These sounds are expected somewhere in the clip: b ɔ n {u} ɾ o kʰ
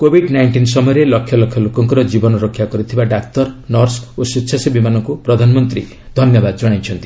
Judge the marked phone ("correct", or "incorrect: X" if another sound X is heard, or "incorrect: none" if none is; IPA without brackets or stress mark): incorrect: ɔ